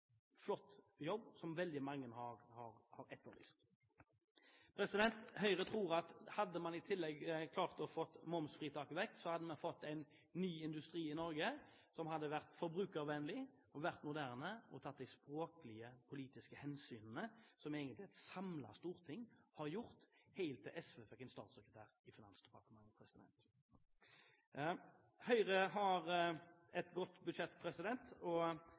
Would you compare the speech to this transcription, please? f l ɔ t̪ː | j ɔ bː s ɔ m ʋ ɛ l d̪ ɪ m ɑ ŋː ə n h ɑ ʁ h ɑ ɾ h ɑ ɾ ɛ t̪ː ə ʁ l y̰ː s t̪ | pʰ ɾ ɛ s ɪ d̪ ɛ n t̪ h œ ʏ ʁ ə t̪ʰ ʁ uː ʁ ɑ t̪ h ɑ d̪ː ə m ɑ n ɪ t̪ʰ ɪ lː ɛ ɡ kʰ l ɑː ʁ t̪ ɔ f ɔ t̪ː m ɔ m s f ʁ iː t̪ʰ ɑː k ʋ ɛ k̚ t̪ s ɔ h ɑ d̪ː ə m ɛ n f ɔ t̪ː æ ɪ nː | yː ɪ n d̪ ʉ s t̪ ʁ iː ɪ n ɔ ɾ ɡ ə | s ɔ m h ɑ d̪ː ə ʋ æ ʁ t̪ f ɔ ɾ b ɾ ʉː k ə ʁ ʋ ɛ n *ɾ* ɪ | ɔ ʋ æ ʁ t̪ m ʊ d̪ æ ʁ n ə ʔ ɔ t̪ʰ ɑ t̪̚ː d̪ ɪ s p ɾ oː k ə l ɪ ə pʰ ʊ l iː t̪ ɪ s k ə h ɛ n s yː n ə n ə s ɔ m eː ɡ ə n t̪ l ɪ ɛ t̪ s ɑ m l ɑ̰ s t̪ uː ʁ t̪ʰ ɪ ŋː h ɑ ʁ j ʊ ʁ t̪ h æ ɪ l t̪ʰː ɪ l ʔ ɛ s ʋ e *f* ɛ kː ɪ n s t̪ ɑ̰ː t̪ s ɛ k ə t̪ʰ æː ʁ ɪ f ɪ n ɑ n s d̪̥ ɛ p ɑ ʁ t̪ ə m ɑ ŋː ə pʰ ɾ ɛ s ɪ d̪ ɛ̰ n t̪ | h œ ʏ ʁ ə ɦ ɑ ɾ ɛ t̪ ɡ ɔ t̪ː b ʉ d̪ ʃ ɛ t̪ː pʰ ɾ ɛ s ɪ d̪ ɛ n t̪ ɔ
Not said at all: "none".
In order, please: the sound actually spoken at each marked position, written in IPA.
l, f

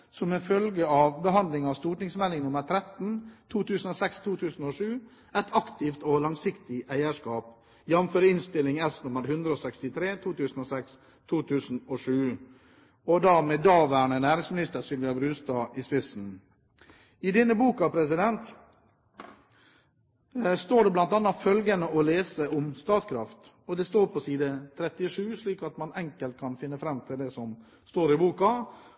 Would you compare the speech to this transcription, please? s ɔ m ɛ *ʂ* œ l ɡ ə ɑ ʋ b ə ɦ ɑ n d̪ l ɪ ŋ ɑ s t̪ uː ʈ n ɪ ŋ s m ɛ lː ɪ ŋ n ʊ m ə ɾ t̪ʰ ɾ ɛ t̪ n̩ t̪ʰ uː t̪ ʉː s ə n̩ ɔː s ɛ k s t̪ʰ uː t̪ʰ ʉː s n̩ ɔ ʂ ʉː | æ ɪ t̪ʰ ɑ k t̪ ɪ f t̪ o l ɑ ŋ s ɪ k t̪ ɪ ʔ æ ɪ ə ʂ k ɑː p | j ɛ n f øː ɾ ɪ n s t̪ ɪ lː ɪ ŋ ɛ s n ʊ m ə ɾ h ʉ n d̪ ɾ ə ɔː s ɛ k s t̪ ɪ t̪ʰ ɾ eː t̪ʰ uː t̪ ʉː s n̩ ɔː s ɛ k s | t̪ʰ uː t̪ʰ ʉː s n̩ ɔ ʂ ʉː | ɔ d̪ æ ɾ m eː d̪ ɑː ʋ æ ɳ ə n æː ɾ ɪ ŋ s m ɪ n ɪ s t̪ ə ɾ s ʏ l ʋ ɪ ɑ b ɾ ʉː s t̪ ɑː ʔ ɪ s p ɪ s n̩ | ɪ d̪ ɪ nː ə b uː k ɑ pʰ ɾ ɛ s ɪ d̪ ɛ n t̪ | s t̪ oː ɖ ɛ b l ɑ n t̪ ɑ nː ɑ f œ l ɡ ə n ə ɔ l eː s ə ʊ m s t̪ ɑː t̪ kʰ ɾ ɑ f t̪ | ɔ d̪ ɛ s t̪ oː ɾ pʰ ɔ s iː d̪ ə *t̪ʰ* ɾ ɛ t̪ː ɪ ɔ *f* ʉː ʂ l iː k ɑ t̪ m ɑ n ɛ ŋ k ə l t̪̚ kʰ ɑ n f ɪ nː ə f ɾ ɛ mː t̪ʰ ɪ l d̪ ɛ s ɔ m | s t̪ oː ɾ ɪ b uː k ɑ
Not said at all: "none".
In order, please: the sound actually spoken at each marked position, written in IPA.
f, t̪ʰ, ʂ

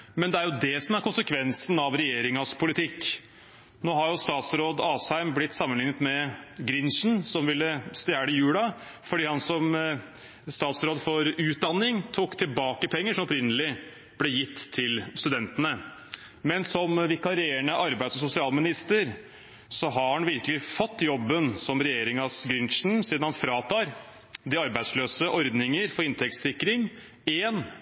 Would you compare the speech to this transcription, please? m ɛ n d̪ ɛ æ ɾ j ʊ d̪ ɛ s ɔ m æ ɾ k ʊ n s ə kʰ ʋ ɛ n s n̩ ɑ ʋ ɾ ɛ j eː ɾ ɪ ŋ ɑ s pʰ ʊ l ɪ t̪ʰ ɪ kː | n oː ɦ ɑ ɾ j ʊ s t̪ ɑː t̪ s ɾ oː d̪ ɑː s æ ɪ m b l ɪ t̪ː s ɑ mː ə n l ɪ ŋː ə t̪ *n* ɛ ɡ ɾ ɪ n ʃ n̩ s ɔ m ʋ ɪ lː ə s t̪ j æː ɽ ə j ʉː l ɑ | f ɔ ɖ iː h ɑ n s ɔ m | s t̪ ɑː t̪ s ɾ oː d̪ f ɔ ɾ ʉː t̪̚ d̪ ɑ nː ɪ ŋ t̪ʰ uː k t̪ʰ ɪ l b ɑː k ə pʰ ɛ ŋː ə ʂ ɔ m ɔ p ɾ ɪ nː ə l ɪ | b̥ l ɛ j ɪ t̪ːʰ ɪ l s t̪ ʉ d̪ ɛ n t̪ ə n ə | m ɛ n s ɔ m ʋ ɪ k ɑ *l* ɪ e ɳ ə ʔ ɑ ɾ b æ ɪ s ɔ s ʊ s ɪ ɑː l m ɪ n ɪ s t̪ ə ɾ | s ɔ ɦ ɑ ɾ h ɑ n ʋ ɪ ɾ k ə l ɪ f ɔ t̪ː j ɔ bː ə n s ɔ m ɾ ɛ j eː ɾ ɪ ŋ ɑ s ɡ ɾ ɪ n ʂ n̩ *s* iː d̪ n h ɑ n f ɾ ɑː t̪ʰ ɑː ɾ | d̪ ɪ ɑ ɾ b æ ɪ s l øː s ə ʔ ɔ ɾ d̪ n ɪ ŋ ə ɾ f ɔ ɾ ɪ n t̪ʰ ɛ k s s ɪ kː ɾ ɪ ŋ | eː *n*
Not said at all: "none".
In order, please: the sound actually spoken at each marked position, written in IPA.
m, ɾ, s, n

